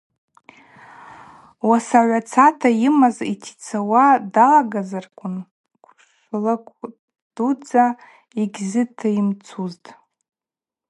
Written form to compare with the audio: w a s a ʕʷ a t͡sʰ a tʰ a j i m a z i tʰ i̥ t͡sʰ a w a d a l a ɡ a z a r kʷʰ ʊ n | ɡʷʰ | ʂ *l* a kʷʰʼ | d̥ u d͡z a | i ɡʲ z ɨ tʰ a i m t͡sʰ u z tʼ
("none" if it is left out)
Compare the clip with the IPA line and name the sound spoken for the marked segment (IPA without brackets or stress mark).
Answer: l